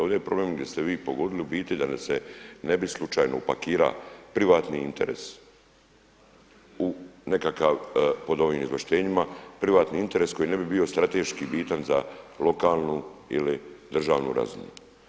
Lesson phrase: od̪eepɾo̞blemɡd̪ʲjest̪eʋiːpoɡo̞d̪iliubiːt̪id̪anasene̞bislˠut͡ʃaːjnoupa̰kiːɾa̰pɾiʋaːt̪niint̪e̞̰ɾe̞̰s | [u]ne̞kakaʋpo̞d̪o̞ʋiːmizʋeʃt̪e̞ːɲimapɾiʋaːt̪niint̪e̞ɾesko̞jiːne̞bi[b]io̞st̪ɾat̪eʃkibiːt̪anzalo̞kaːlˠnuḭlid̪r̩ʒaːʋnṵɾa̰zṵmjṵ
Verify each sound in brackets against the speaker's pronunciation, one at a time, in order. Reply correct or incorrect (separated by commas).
correct, correct